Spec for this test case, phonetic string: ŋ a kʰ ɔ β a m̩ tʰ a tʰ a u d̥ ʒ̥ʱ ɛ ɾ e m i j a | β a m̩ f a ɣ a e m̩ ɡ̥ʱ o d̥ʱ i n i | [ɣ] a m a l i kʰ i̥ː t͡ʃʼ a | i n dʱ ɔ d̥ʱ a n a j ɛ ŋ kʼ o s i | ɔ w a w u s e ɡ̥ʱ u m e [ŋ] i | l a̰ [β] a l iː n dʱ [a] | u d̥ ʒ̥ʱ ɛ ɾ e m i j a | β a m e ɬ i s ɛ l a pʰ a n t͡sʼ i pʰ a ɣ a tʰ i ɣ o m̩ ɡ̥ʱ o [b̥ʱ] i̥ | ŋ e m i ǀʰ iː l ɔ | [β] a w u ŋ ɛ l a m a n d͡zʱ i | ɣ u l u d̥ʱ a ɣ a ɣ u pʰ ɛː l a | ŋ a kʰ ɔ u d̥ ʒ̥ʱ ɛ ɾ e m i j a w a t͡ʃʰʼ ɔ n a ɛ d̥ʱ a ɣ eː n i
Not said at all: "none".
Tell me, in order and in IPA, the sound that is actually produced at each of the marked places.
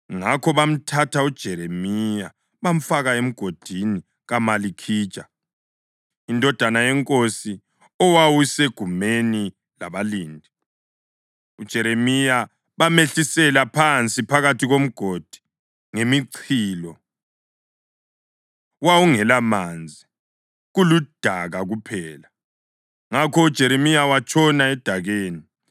ɣ, n, β, i, d̥ʱ, w

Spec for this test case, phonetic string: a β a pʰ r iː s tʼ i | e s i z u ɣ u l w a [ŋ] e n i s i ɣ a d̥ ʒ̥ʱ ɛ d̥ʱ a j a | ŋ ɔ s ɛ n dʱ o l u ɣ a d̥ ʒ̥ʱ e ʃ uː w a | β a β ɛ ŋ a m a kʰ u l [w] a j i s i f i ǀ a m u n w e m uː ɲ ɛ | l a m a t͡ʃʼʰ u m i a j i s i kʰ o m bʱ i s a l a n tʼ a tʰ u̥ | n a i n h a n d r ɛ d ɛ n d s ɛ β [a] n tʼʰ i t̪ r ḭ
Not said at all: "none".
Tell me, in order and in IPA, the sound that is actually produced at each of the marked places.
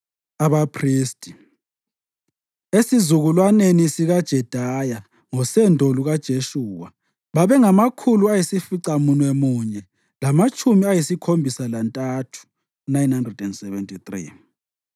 n, u, ɛ

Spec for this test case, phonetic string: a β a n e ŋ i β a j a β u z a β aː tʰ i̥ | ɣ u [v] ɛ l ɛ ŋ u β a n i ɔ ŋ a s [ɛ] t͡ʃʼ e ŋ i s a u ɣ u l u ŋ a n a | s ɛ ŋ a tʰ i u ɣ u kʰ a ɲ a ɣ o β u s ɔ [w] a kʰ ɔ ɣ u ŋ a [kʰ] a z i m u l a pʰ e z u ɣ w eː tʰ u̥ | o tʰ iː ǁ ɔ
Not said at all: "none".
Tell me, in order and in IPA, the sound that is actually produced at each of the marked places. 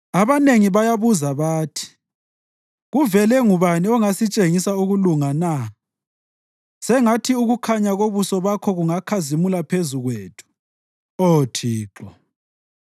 v, i, β, kʰ

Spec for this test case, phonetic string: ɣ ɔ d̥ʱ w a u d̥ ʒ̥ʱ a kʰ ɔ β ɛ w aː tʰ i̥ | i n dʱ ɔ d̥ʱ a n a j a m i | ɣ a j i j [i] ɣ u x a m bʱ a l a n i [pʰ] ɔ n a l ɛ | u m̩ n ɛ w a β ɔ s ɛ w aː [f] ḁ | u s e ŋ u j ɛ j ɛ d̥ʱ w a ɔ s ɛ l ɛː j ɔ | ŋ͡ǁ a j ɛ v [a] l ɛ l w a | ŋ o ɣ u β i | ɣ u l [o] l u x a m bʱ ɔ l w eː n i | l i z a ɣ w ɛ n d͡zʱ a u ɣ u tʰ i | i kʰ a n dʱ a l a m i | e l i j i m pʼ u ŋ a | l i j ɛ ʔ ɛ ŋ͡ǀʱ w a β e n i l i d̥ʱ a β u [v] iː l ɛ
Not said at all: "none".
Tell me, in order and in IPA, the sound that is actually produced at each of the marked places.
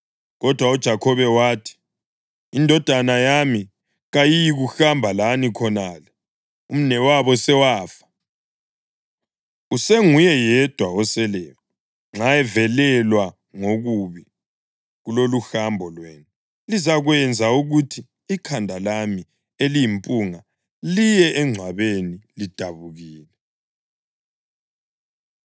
i, kʰ, f, ɛ, o, ɣ

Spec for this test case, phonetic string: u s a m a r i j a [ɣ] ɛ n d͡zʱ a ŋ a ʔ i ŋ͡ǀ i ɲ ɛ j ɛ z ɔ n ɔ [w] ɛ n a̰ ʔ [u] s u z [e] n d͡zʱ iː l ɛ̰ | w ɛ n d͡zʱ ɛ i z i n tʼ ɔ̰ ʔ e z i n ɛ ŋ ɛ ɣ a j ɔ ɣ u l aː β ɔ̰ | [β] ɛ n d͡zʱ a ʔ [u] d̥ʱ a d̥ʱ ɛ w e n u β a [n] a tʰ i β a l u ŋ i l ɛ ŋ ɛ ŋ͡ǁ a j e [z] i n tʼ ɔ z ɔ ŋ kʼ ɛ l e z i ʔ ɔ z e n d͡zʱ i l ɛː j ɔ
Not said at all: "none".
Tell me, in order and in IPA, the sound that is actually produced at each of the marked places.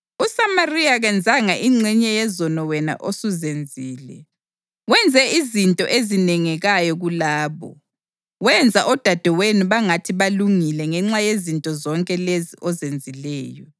ɣ, w, o, e, w, ɔ, ŋ, z

